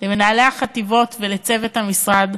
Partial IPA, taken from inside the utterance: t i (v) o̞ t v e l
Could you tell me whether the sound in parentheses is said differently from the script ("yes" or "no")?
no